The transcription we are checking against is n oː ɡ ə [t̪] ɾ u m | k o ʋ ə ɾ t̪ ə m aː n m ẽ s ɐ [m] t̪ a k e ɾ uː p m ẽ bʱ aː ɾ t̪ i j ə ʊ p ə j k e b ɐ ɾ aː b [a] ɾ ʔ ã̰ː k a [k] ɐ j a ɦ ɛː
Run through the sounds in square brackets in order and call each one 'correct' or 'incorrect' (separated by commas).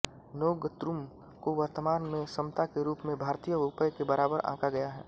correct, correct, incorrect, incorrect